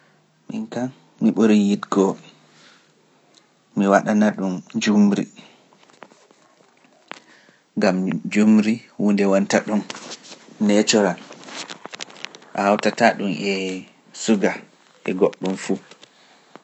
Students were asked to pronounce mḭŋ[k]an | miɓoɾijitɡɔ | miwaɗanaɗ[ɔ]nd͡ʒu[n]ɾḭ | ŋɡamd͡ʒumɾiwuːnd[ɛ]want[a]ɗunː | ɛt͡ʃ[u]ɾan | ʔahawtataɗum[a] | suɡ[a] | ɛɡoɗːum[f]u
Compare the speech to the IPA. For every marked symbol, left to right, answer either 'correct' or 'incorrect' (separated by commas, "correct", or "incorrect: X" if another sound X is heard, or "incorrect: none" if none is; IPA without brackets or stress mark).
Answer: correct, incorrect: u, incorrect: m, correct, correct, incorrect: ɔ, incorrect: ɛ, correct, correct